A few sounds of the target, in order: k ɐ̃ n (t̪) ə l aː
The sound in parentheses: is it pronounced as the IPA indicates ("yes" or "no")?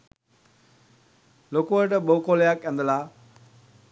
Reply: no